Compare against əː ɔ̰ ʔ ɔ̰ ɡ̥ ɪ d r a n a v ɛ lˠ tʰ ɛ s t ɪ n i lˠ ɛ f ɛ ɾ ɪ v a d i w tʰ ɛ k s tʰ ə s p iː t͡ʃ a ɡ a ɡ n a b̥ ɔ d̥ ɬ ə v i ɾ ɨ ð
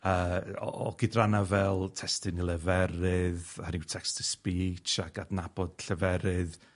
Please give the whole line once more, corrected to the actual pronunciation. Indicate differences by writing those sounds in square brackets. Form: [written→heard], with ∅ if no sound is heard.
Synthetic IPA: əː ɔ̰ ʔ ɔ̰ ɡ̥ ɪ d r a n a v ɛ lˠ tʰ ɛ s t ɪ n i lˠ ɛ [f→v] ɛ ɾ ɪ [v→ð] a [d→n] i w tʰ ɛ k s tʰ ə s p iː t͡ʃ a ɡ a [ɡ→d] n a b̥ ɔ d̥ ɬ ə v [i→ɛ] ɾ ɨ ð